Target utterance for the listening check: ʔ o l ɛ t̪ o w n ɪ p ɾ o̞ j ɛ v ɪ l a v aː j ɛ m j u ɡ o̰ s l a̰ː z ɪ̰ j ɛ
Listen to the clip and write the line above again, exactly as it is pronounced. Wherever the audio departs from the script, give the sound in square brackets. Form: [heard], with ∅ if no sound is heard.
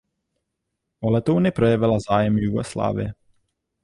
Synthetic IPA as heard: ʔ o l ɛ t̪ o w n ɪ p ɾ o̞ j ɛ v ɪ l a [z] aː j ɛ m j u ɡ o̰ s l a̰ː [v] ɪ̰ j ɛ